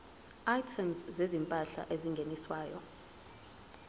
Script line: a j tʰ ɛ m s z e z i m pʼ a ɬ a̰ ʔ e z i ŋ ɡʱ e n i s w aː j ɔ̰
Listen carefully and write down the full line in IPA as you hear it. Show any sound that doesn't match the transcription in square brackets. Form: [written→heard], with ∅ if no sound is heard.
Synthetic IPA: a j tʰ ɛ m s z e z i m pʼ a ɬ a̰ ʔ e z i ŋ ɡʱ e n i s w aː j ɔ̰